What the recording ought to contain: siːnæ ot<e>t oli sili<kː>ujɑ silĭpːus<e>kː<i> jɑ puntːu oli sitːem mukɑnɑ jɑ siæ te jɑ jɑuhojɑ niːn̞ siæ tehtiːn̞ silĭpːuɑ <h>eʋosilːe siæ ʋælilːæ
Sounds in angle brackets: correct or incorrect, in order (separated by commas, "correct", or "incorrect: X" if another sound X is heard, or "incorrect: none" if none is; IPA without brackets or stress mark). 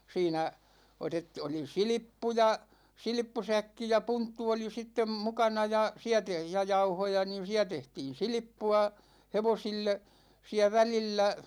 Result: correct, incorrect: pː, incorrect: æ, correct, correct